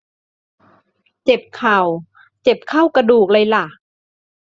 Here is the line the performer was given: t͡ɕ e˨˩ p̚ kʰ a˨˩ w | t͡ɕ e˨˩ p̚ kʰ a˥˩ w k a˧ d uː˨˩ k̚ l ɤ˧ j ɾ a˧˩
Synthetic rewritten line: t͡ɕ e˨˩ p̚ kʰ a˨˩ w | t͡ɕ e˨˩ p̚ kʰ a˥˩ w k a˧ d uː˨˩ k̚ l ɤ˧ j l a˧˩